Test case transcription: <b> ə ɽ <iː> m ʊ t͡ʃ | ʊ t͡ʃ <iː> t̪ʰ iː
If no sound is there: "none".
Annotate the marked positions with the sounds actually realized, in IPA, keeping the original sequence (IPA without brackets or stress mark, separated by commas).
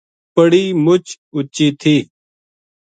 p, iː, iː